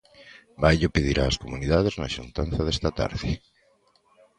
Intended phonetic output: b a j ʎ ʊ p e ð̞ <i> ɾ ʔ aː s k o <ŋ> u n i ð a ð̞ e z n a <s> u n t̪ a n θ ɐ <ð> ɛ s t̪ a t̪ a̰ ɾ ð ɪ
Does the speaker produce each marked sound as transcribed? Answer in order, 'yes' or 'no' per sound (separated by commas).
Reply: yes, no, no, yes